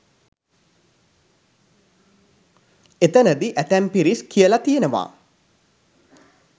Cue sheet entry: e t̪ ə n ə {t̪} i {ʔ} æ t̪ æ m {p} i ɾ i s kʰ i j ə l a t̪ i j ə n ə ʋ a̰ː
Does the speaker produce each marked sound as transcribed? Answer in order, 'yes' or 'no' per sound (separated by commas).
no, yes, yes